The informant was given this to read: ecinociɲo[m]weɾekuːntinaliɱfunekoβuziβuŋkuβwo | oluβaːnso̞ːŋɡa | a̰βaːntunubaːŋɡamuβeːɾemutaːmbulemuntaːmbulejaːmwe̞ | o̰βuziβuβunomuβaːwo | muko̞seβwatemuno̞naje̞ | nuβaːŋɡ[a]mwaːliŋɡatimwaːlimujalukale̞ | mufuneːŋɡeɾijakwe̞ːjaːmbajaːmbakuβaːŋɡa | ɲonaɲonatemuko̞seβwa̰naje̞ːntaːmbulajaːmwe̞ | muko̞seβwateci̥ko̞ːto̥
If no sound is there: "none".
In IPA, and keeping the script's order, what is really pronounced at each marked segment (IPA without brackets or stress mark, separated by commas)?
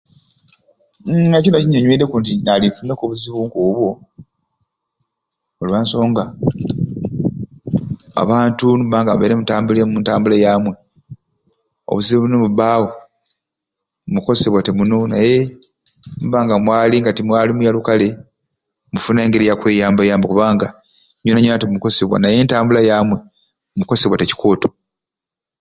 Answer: ɲ, a